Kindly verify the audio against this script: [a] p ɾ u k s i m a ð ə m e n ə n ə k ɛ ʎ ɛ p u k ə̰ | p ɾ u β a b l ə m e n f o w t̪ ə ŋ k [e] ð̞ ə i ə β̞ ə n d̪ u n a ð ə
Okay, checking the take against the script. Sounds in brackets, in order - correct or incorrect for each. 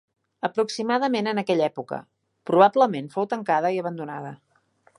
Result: incorrect: ə, incorrect: a

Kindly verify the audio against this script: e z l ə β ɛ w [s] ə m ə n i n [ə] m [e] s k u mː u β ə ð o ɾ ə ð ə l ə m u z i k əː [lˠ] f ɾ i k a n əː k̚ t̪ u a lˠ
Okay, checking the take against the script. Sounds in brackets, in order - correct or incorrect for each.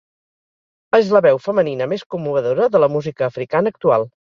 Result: incorrect: f, correct, correct, incorrect: none

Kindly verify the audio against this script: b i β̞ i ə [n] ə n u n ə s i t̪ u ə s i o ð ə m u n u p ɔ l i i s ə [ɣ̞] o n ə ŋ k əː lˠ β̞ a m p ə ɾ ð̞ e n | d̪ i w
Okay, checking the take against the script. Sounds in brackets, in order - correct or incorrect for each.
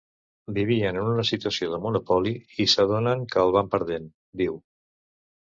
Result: correct, incorrect: ð̞

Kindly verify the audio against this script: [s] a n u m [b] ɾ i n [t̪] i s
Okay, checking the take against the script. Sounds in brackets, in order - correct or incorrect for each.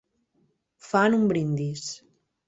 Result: incorrect: f, correct, incorrect: d̪

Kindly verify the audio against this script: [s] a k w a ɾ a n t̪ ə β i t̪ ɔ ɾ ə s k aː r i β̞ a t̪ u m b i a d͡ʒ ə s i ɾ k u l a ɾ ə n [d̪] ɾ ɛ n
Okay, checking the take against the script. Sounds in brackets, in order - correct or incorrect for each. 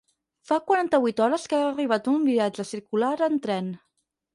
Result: incorrect: f, incorrect: t̪

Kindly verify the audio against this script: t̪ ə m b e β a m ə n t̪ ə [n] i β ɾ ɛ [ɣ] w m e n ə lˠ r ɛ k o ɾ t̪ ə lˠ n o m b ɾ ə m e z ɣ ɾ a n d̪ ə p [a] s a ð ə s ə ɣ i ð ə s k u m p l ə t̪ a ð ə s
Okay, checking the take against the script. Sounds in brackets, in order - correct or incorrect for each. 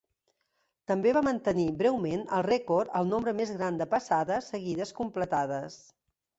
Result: correct, incorrect: none, incorrect: ə

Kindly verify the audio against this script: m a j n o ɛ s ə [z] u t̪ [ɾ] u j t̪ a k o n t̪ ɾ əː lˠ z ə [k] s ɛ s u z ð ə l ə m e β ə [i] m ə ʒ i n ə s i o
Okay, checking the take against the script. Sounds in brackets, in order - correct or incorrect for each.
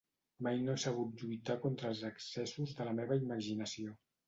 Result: incorrect: ɣ, incorrect: ʎ, correct, correct

